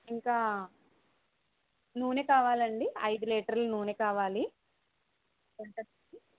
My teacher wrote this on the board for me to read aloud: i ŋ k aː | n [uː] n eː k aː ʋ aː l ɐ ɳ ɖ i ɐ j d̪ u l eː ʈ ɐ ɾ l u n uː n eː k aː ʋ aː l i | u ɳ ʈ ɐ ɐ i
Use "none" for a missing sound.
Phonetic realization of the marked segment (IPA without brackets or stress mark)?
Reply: uː